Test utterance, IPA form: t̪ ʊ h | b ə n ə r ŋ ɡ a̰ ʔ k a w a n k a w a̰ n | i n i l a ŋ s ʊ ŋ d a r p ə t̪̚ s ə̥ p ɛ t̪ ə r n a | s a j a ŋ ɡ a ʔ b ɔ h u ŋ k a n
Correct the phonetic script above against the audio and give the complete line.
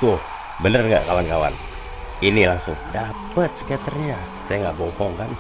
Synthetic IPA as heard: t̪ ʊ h | b ə n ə r ŋ ɡ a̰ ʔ k a w a n k a w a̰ n | i n i l a ŋ s ʊ ŋ d a p ə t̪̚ s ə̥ k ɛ t̪ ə r ɲ a | s a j a ŋ ɡ a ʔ b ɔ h ɔ ŋ k a n